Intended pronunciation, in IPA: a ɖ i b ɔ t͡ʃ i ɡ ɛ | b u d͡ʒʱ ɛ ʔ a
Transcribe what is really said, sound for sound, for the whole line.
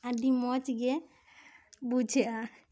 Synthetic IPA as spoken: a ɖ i m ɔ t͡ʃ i ɡ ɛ | b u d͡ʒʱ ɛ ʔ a

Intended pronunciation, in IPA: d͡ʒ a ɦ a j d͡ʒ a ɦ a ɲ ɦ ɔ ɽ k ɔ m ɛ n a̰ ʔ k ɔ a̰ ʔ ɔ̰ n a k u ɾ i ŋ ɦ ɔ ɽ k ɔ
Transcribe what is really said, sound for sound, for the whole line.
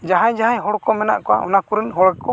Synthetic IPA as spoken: d͡ʒ a ɦ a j d͡ʒ a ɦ a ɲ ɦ ɔ ɽ k ɔ m ɛ n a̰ ʔ k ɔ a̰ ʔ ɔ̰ n a k u ɾ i n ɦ ɔ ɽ k ɔ

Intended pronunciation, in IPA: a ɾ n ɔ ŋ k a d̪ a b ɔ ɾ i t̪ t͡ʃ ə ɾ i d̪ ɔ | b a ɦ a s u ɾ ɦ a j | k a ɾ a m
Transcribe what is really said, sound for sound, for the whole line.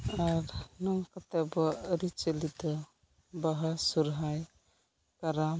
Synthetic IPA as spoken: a ɾ n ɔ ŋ k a t̪ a b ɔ ɾ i t͡ʃ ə l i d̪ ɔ | b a ɦ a s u ɾ ɦ a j | k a ɾ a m

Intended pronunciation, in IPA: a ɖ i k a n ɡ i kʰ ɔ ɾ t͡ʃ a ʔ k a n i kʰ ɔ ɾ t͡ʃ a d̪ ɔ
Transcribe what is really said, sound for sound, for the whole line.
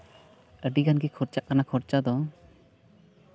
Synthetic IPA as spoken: ə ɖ i ɡ a n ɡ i kʰ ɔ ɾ t͡ʃ a ʔ k a n a kʰ ɔ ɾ t͡ʃ a d̪ ɔ

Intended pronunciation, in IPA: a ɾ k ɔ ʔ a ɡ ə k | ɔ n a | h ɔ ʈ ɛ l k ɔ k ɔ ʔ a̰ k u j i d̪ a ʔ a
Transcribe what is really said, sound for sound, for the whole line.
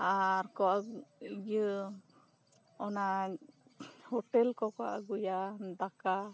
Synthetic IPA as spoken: a ɾ k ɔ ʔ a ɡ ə | ɔ n a | h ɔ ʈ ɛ l k ɔ k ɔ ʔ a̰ ɡ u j a d̪ a k a

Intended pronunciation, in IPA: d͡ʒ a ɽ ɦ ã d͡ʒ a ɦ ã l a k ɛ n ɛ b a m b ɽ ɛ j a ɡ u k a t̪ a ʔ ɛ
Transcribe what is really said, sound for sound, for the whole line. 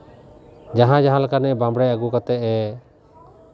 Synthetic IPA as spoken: d͡ʒ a ɦ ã d͡ʒ a ɦ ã l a k a n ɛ b a m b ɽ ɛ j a ɡ u k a t̪ ɛ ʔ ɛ

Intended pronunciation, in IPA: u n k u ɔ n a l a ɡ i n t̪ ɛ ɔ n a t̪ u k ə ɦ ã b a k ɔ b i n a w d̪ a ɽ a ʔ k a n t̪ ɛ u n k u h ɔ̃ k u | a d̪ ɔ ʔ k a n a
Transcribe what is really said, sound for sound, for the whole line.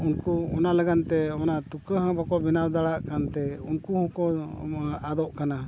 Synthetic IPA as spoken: u n k u ɔ n a l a ɡ a n t̪ ɛ ɔ n a t̪ u k ə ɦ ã b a k ɔ b i n a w d̪ a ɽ a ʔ k a n t̪ ɛ u n k u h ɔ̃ k ɔ | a d̪ ɔ ʔ k a n a

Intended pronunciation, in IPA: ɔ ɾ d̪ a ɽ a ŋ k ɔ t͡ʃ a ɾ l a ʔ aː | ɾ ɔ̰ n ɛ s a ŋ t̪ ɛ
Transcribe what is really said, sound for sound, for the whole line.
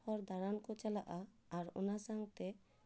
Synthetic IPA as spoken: ɔ ɾ d̪ a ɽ a n k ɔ t͡ʃ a l a ʔ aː | ɾ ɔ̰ n a s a ŋ t̪ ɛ

